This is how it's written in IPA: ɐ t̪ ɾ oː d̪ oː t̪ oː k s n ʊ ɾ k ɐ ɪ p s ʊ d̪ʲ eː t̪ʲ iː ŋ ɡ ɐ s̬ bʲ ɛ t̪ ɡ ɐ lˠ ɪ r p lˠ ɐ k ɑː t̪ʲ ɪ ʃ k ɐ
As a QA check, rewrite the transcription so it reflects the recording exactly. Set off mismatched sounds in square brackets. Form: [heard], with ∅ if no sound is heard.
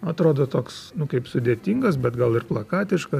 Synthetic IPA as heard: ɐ t̪ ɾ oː d̪ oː t̪ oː k s n ʊ [∅] k ɐ ɪ p s ʊ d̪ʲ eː t̪ʲ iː ŋ ɡ ɐ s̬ bʲ ɛ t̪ ɡ ɐ lˠ ɪ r p lˠ ɐ k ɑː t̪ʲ ɪ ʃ k ɐ